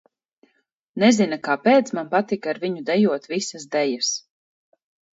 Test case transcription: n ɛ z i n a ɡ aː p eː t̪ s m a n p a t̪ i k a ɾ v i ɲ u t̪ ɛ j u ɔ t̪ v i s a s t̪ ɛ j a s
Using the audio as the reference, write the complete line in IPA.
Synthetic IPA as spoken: n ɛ z i n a k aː p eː t̪ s m a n p a t̪ i k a ɾ v i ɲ u d̪ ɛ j u ɔ t̪ v i s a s d̪ ɛ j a s